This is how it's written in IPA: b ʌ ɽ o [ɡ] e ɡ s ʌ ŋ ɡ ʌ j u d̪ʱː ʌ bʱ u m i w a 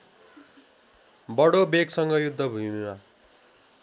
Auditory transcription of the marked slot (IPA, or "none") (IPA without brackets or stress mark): b